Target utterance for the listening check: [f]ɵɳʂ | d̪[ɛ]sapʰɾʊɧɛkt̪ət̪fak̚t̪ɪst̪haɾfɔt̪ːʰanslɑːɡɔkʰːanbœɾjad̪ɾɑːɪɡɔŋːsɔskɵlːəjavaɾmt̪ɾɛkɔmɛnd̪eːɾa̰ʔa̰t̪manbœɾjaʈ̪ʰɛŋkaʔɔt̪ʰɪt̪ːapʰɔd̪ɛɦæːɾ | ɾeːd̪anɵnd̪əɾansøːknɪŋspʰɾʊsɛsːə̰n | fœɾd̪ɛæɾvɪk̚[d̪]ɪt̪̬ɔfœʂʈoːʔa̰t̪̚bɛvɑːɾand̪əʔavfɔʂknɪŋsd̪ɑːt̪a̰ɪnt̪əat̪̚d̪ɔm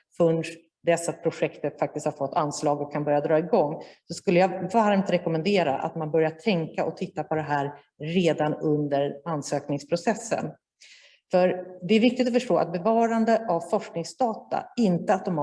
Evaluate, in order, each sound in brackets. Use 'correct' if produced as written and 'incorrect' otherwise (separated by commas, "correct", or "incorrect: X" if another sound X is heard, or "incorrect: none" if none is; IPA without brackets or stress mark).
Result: correct, correct, incorrect: t̪